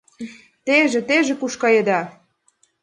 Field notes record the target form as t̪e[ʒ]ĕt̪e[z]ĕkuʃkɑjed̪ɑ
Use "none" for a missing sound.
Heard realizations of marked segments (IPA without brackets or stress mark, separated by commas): ʒ, ʒ